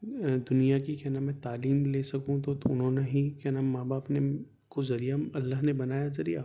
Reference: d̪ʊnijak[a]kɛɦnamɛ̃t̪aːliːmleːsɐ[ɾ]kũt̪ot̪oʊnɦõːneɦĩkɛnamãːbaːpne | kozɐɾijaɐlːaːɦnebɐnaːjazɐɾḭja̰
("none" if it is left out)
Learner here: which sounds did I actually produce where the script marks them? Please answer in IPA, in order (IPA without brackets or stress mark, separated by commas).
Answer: i, none